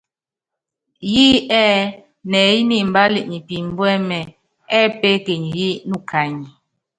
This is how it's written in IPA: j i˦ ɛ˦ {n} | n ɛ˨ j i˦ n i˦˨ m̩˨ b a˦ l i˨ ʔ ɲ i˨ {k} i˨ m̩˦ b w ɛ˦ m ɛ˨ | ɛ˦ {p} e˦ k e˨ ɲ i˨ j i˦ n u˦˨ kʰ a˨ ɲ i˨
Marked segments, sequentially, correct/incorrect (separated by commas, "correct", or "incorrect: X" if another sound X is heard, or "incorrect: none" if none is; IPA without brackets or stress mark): incorrect: none, incorrect: p, correct